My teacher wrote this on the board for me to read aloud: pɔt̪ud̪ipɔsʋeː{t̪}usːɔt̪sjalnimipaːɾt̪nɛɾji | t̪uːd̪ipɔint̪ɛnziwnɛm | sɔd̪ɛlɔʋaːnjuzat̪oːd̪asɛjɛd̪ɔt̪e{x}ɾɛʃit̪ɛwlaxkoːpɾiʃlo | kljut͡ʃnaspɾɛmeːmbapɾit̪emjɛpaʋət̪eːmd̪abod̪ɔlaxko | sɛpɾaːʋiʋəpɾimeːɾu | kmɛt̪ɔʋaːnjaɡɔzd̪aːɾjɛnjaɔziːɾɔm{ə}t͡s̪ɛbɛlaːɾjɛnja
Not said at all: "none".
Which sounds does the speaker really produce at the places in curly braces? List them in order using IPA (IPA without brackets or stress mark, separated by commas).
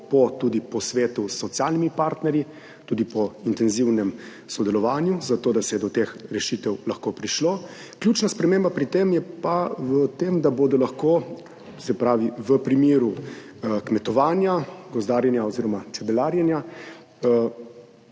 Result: t̪, x, a